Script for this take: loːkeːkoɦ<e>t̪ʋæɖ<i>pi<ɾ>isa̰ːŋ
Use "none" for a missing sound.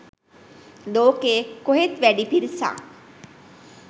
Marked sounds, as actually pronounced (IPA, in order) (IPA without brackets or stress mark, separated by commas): e, i, ɾ